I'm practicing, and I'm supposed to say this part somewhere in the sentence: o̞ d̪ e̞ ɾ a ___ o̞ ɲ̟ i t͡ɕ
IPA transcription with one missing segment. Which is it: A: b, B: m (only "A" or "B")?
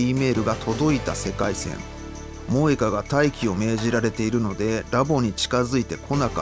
A